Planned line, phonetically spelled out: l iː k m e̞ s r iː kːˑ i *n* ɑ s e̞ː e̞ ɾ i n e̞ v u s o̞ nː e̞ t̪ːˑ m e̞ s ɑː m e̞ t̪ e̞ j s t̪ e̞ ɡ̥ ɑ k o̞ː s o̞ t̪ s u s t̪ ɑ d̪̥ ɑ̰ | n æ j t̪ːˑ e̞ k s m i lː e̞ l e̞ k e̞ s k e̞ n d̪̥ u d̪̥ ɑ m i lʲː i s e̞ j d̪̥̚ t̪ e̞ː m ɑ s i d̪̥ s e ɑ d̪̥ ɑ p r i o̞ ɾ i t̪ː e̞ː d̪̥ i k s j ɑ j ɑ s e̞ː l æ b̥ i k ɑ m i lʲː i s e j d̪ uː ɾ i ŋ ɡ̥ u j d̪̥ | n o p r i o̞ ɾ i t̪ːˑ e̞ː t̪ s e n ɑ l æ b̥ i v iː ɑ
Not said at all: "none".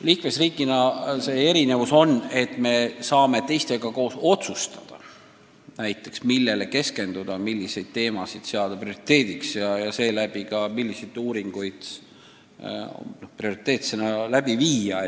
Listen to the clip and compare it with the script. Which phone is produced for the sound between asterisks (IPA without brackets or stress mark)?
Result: n